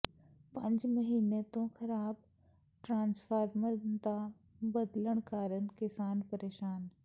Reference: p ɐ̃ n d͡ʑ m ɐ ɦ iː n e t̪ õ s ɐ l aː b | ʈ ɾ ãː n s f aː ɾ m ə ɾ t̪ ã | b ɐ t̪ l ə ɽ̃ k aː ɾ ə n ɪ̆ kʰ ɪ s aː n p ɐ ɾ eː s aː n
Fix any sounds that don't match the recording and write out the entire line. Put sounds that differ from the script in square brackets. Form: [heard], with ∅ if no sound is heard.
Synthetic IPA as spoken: p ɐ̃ [ɲ] d͡ʑ m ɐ ɦ iː n e t̪ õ [x] ɐ [ɾ] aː b | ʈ ɾ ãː n s f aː ɾ m ə ɾ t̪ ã | b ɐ [d̪] l ə ɽ̃ k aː ɾ ə n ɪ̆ [k] ɪ s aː n p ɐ ɾ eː [ʃ] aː n